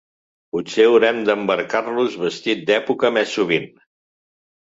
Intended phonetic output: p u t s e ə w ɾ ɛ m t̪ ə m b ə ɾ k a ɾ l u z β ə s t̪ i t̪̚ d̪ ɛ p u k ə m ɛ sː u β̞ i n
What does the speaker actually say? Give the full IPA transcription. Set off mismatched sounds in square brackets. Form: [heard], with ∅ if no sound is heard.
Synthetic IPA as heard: p u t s e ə w ɾ ɛ m [d̪] ə m b ə ɾ k a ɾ l u z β ə s t̪ i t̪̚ d̪ ɛ p u k ə m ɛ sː u β̞ i n